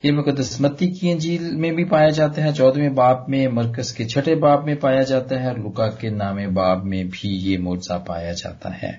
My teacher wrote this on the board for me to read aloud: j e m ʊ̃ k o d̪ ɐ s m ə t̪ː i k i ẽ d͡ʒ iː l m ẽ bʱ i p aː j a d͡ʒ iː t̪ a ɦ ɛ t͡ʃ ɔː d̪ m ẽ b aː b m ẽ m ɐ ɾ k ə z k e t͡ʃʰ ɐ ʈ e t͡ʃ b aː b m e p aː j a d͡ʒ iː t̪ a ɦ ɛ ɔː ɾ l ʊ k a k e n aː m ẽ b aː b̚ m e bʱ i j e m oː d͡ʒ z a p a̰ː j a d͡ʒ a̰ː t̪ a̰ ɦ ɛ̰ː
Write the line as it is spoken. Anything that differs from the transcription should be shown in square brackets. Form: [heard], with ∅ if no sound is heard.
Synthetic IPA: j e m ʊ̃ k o d̪ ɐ s m ə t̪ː i k i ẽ d͡ʒ iː l m ẽ bʱ i p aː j a d͡ʒ [aː] t̪ a ɦ ɛ t͡ʃ ɔː d̪ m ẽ b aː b m ẽ m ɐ ɾ k ə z k e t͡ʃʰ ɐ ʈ e [∅] b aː b m [ẽ] p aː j a d͡ʒ [aː] t̪ a ɦ ɛ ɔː ɾ l ʊ k a k e n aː m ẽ b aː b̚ m [ẽ] bʱ i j e m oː d͡ʒ z a p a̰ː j a d͡ʒ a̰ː t̪ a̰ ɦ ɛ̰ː